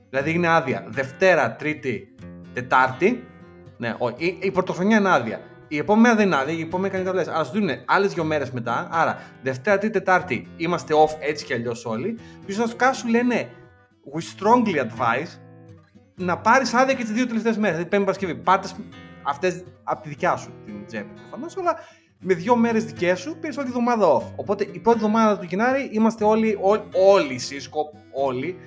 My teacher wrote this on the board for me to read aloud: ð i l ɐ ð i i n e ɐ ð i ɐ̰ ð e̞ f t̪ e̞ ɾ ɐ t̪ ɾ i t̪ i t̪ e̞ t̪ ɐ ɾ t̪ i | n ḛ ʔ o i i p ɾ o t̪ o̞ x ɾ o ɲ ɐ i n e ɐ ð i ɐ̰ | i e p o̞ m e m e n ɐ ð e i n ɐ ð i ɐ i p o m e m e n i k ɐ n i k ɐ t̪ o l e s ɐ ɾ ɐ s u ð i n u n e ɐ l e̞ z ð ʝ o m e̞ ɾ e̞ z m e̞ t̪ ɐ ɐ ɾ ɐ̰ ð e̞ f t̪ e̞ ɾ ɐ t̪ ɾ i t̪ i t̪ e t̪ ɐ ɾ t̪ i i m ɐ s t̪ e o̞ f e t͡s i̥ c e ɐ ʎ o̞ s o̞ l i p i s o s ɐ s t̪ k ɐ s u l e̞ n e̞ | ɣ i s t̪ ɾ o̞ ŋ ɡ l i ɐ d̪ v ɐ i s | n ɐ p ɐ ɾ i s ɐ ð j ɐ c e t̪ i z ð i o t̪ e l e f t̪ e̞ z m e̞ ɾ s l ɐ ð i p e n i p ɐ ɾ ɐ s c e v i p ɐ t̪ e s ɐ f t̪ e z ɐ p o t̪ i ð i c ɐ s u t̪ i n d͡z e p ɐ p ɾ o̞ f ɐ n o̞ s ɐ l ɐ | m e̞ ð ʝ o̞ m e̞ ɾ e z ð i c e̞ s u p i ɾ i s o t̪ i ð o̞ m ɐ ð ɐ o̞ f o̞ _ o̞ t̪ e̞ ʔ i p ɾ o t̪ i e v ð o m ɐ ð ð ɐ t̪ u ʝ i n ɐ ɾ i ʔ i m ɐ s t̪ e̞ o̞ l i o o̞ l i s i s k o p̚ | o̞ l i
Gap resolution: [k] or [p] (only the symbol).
p